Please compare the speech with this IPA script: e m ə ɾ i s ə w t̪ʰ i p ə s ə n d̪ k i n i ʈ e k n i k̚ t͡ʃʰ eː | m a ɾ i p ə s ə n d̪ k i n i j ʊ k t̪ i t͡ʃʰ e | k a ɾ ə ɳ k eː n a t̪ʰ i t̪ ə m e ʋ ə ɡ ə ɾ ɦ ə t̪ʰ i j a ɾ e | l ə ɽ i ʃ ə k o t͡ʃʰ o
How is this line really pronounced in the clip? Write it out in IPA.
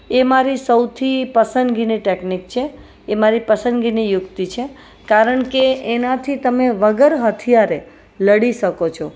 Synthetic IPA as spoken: e m a ɾ i s ə w t̪ʰ i p ə s ə n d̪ ɡ i n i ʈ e k n i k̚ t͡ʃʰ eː | m a ɾ i p ə s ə n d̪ ɡ i n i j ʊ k t̪ i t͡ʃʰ e | k a ɾ ə ɳ k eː n a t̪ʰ i t̪ ə m e ʋ ə ɡ ə ɾ ɦ ə t̪ʰ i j a ɾ e | l ə ɽ i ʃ ə k o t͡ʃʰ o